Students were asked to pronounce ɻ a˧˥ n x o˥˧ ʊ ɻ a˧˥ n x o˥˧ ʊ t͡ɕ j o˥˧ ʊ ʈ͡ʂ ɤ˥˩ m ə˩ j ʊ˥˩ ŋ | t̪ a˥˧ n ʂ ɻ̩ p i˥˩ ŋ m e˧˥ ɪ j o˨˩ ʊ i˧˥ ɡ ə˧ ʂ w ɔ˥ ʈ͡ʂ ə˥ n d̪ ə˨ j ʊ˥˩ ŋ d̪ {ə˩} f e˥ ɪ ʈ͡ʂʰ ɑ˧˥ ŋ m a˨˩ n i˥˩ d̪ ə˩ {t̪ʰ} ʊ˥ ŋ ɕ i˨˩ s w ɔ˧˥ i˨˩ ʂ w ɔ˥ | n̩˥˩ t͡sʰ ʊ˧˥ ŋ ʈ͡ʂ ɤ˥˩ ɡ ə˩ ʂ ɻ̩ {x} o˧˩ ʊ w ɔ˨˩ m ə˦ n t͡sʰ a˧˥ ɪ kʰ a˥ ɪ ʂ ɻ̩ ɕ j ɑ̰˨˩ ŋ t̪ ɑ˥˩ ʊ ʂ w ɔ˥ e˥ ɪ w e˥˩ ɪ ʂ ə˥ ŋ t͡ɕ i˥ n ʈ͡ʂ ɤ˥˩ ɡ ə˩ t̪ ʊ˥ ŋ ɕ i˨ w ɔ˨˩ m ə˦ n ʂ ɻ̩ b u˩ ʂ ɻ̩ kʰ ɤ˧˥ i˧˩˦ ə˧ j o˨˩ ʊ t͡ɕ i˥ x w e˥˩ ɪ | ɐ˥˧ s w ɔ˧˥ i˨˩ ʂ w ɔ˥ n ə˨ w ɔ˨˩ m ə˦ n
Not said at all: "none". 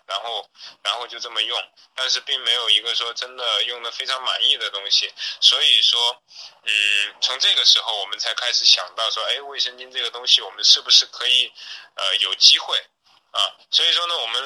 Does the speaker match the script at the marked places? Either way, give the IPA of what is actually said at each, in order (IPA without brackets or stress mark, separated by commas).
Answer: ə˩, t̪, x